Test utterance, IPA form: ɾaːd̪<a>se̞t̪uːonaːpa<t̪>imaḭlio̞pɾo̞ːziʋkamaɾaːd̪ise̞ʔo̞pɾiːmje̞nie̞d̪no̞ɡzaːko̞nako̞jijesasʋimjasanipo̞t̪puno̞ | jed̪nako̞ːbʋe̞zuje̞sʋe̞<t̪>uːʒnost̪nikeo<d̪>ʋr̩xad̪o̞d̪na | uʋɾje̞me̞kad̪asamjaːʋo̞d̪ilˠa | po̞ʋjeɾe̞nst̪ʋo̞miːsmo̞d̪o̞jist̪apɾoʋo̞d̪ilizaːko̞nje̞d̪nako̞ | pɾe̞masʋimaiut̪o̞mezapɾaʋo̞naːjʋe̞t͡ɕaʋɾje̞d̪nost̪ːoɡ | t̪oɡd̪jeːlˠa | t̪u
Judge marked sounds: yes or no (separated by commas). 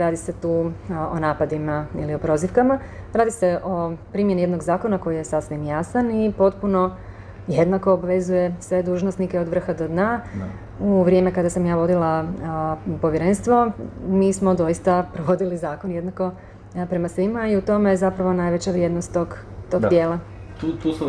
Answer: no, no, no, yes